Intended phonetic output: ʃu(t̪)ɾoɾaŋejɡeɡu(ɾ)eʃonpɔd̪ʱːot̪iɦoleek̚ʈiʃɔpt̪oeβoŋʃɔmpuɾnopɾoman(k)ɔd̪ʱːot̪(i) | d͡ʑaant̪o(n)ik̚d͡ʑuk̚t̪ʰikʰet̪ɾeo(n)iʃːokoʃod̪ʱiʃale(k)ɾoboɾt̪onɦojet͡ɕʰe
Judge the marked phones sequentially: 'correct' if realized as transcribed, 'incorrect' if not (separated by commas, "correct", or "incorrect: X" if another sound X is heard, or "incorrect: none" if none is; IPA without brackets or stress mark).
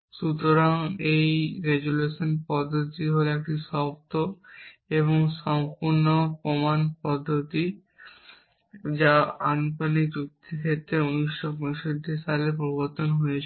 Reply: correct, incorrect: l, incorrect: p, correct, correct, correct, incorrect: p